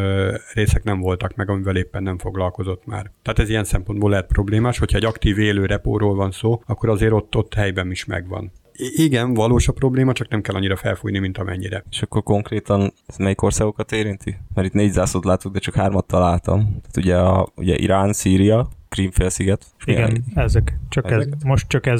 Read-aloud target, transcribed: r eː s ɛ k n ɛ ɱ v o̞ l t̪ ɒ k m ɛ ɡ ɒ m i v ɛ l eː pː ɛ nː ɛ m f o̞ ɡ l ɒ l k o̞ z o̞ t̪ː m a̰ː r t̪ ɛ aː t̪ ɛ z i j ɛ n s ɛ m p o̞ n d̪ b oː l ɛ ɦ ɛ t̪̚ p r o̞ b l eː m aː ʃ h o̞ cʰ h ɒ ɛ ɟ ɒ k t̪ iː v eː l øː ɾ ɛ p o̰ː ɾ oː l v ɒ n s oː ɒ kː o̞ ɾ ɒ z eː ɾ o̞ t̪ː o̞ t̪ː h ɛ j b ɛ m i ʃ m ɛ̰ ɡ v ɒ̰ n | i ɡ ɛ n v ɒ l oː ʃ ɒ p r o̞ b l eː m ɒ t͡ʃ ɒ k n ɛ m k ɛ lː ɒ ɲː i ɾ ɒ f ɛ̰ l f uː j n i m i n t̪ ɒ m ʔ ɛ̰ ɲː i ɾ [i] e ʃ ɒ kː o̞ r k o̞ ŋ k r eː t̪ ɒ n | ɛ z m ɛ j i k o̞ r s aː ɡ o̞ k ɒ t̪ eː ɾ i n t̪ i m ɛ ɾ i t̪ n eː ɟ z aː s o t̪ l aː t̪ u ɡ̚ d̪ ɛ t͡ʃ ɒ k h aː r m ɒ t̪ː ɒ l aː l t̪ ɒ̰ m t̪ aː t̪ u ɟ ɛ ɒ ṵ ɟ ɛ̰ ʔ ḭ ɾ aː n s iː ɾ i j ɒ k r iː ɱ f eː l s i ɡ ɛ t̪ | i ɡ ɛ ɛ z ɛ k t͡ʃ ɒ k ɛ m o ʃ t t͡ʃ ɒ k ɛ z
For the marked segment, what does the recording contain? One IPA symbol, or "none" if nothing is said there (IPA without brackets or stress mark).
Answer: ɛ